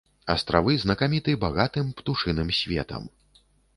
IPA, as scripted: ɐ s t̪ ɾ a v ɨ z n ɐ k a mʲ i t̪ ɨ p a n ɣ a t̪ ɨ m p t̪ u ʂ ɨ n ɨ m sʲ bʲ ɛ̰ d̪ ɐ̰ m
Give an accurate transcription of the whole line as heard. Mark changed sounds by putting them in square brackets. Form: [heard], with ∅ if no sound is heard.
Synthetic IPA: ɐ s t̪ ɾ a v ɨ z n ɐ k a mʲ i t̪ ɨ [b] a [∅] ɣ a t̪ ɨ m p t̪ u ʂ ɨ n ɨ m sʲ [vʲ] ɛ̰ [t̪] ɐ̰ m